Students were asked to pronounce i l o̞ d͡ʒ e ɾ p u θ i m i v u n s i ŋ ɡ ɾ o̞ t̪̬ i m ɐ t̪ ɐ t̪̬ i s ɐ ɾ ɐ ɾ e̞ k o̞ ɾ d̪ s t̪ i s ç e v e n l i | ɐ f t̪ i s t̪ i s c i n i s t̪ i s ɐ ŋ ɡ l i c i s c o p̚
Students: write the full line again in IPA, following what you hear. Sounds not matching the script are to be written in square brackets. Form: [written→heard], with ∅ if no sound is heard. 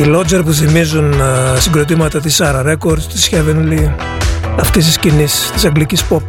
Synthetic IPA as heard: i l o̞ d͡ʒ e ɾ p u θ i m i [v→z] u n s i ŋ ɡ ɾ o̞ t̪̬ i m ɐ t̪ ɐ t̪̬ i s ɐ ɾ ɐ ɾ e̞ k o̞ ɾ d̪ s t̪ i s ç e v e n l i | ɐ f t̪ i s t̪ i s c i n i s t̪ i s ɐ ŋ ɡ l i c i s [c→p] o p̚